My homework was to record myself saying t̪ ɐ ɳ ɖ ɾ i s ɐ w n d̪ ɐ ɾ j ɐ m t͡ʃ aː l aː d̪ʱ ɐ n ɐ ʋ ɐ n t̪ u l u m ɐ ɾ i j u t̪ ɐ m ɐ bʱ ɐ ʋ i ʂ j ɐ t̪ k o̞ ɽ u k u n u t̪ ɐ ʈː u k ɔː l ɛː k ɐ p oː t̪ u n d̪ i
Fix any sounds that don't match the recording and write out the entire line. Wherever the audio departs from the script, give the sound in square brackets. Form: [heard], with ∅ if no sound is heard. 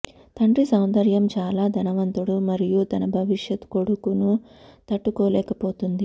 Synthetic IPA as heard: t̪ ɐ ɳ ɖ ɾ i s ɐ w n d̪ ɐ ɾ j ɐ m t͡ʃ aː l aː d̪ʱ ɐ n ɐ ʋ ɐ n t̪ u [ɽ] u m ɐ ɾ i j u t̪ ɐ [n] ɐ bʱ ɐ ʋ i ʂ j ɐ t̪ k o̞ ɽ u k u n u t̪ ɐ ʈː u k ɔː l ɛː k ɐ p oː t̪ u n d̪ i